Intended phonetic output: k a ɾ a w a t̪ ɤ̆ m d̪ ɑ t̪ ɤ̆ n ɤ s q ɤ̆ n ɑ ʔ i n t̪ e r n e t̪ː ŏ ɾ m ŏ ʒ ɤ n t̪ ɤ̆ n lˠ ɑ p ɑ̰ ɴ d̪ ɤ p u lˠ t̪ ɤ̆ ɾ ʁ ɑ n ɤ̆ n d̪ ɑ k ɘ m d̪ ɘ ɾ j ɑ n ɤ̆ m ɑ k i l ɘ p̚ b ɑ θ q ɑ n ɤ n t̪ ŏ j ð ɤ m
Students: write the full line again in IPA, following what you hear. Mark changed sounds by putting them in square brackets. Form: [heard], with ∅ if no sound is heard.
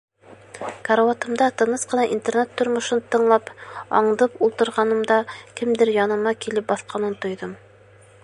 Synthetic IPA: k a ɾ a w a t̪ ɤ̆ m d̪ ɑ t̪ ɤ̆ n ɤ s q ɤ̆ n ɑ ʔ i n t̪ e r n e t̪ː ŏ ɾ m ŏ [ʃ] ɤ n t̪ ɤ̆ [ɴ] lˠ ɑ p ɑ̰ ɴ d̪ ɤ p u lˠ t̪ ɤ̆ ɾ ʁ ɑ n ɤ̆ [m] d̪ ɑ k ɘ m d̪ ɘ ɾ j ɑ n ɤ̆ m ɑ k i l ɘ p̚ b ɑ θ q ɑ n ɤ n t̪ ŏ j ð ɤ m